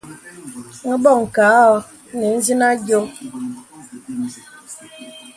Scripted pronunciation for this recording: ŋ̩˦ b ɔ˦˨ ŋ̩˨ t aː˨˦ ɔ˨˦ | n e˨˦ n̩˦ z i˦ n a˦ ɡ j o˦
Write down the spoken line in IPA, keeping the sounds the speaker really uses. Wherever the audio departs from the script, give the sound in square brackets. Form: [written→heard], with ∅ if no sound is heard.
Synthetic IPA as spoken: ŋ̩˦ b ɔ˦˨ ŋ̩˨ [t→k] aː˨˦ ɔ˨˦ | n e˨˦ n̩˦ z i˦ n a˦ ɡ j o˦

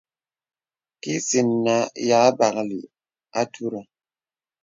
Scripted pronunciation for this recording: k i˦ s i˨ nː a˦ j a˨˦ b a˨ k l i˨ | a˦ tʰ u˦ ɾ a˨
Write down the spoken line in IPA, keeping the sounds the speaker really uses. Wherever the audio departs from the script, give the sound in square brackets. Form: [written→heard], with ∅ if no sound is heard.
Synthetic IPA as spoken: k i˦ s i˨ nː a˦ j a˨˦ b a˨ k l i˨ | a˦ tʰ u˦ ɾ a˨

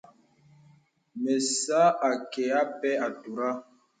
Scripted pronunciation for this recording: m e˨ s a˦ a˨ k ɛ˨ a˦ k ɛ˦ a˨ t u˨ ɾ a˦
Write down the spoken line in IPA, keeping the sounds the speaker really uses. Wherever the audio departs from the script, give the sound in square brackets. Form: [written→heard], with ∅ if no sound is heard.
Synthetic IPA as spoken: m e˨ s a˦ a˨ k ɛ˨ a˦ [k→p] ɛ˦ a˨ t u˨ ɾ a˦

